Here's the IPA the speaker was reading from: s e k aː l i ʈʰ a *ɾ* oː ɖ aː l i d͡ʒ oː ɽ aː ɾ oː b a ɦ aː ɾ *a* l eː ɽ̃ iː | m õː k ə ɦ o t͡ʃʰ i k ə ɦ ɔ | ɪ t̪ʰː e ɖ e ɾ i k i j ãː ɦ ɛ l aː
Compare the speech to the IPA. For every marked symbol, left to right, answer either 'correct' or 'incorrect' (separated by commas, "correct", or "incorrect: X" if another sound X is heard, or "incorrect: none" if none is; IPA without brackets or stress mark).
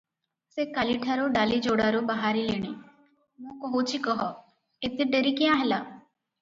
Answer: correct, incorrect: i